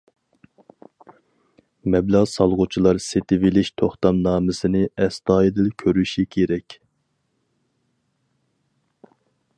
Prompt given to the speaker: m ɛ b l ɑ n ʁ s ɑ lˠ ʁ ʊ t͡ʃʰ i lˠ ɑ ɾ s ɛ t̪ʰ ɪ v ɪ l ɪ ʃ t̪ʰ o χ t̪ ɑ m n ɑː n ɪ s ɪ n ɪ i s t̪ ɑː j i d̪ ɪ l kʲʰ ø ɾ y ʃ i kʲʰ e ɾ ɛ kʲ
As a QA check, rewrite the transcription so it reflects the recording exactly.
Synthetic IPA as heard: m ɛ b l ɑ ʁ s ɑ lˠ ʁ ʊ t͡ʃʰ i lˠ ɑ ɾ s e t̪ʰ ɪ v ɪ l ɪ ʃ t̪ʰ o χ t̪ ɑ m n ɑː m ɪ s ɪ n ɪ ɛ s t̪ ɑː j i d̪ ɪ l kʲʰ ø ɾ y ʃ i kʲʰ e ɾ ɛ kʲ

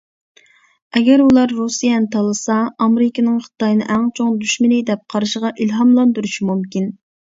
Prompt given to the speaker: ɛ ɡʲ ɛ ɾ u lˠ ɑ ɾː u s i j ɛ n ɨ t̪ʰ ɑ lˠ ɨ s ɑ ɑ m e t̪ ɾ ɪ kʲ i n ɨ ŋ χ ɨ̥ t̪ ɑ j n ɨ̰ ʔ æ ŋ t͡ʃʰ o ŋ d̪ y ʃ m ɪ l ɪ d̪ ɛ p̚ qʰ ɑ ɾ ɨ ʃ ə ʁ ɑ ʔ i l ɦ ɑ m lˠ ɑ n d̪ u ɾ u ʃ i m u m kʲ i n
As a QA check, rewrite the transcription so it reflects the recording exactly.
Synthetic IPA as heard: ɛ ɡʲ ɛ ɾ u lˠ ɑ ɾː u s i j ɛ n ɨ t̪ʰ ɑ lˠ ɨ s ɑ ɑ m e ɾ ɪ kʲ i n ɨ ŋ χ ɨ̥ t̪ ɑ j n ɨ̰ ʔ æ ŋ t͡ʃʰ o ŋ d̪ y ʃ m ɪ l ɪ d̪ ɛ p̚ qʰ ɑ ɾ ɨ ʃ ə ʁ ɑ ʔ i l ɦ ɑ m lˠ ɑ n d̪ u ɾ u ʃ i m u m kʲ i n

